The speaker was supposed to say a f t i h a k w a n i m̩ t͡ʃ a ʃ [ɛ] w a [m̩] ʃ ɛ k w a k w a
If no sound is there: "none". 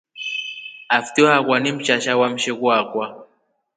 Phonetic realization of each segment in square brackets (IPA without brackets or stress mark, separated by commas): a, m̩